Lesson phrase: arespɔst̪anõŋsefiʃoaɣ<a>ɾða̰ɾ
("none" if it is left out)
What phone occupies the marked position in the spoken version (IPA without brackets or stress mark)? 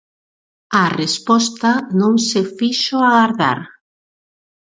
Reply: a